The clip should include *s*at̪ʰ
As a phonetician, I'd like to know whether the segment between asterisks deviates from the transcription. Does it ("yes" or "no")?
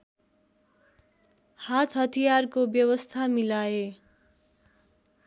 yes